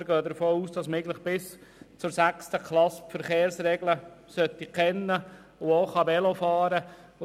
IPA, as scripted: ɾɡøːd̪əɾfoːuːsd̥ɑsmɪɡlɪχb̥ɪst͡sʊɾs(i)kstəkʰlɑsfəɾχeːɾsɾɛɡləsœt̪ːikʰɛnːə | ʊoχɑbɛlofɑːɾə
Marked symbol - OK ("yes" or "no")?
no